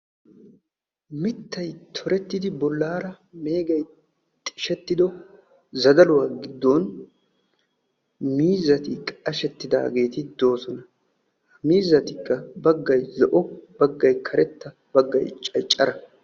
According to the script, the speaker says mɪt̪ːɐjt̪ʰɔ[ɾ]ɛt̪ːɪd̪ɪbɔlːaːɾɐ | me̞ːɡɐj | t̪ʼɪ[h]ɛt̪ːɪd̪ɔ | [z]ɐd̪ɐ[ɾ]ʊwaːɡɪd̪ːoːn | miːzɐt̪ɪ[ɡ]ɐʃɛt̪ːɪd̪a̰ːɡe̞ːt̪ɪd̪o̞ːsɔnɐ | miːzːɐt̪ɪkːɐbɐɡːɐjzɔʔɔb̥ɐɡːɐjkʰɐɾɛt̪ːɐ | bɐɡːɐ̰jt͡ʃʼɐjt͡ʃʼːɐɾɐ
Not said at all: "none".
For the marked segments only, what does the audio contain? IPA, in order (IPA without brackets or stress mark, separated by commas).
ɾ, ʃ, z, l, k